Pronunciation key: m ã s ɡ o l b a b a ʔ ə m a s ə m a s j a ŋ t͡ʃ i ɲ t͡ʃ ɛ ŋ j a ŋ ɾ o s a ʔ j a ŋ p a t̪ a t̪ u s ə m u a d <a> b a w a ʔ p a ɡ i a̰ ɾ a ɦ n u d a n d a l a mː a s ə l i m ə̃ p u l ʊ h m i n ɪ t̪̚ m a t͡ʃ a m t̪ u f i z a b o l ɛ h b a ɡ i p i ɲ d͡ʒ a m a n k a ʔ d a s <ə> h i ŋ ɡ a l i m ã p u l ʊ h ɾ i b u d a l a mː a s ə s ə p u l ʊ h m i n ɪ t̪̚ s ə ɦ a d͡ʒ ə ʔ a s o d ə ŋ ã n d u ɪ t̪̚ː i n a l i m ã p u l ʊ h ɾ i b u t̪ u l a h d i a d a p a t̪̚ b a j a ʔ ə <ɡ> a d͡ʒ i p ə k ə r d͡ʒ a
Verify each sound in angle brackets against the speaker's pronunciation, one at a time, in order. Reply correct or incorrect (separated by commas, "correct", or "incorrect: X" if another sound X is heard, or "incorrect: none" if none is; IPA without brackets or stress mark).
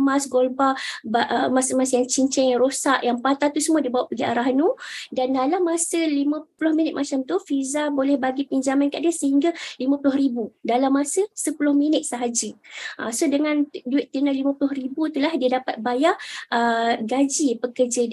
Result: incorrect: i, correct, correct